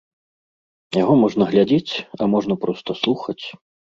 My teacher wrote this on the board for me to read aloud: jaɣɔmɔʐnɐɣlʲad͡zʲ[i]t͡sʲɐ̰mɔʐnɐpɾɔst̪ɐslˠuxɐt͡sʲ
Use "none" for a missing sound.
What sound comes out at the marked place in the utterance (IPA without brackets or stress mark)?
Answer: e